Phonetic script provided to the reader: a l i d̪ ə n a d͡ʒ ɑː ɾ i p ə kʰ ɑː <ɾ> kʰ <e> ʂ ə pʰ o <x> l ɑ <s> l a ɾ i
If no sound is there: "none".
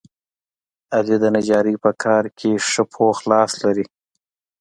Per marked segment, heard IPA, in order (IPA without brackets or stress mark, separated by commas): ɾ, e, x, s